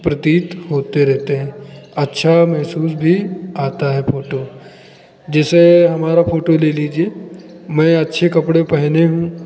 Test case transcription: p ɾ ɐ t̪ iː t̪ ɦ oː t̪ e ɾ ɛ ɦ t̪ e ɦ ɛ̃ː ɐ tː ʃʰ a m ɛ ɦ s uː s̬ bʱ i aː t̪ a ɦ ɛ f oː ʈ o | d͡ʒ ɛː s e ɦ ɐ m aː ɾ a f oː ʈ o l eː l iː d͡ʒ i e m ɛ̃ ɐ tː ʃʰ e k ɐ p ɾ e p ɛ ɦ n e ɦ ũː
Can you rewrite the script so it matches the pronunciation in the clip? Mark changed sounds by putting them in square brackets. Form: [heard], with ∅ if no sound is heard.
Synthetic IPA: p ɾ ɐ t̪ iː t̪ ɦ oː t̪ e ɾ ɛ ɦ t̪ e ɦ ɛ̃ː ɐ tː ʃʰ a m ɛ ɦ s uː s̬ bʱ i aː t̪ a ɦ ɛ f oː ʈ o | d͡ʒ ɛː s e ɦ ɐ m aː ɾ a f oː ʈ o l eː l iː d͡ʒ i e m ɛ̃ ɐ tː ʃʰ e k ɐ p [ɽ] e p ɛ ɦ n e ɦ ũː